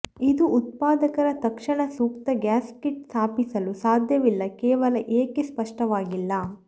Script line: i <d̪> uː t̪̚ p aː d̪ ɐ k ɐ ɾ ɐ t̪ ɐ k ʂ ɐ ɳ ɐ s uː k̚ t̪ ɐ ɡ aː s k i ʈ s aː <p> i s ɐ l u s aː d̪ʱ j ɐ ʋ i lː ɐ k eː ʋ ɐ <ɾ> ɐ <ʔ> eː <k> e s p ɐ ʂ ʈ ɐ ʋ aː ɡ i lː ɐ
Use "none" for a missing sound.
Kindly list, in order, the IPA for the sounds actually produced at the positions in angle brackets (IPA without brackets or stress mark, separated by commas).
d̪, p, l, ʔ, k